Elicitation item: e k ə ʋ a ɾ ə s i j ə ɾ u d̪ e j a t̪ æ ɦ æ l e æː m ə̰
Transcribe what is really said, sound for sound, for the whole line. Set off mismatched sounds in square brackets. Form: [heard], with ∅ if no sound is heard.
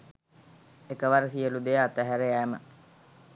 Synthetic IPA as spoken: e k ə ʋ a ɾ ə s i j ə [l] u d̪ e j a t̪ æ ɦ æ [ɾ] e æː m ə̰